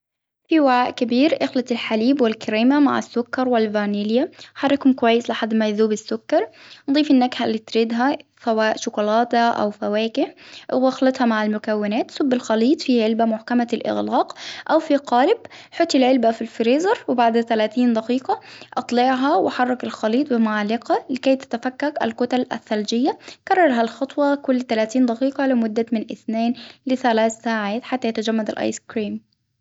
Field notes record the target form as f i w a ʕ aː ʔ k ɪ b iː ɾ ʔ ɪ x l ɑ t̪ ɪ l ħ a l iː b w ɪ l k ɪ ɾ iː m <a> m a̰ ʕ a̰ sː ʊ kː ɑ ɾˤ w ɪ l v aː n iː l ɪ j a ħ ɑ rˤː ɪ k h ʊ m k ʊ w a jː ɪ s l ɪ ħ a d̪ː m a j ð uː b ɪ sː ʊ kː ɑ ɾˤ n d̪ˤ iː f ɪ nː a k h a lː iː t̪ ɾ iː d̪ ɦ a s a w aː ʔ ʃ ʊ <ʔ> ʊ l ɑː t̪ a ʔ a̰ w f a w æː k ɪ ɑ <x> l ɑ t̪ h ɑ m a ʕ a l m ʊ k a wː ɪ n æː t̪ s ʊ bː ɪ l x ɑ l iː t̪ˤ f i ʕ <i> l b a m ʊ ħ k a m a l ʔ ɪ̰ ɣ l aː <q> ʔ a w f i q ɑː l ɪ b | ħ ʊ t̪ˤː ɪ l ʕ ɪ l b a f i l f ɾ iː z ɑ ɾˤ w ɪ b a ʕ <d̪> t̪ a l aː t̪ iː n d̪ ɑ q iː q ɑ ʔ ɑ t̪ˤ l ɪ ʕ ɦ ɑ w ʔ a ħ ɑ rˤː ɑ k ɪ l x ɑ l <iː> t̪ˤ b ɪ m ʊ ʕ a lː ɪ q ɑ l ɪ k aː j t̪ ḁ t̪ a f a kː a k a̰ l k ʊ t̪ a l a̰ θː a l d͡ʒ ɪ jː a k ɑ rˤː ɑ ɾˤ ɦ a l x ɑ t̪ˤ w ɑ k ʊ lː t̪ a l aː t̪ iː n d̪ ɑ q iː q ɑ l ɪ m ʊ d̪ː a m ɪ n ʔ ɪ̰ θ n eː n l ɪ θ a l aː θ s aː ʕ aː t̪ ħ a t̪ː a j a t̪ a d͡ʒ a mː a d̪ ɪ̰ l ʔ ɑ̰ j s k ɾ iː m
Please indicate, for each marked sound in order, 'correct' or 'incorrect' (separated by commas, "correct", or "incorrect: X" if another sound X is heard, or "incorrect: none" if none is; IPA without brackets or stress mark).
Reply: correct, incorrect: k, correct, incorrect: ɪ, correct, correct, correct